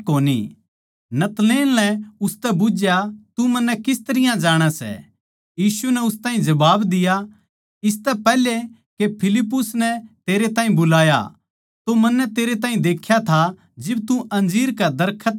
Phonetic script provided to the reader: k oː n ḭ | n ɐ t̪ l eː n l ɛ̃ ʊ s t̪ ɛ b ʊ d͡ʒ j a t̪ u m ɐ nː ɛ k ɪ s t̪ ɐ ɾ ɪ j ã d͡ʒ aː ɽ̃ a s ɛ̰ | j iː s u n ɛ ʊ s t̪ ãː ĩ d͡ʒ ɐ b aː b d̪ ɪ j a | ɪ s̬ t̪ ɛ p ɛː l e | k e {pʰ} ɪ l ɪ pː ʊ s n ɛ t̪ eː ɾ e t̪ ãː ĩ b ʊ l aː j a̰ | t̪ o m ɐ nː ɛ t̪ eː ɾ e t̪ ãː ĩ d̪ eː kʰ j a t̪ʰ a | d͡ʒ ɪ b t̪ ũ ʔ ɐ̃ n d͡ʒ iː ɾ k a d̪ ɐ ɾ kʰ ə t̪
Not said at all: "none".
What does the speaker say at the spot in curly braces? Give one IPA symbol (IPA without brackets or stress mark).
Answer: pʰ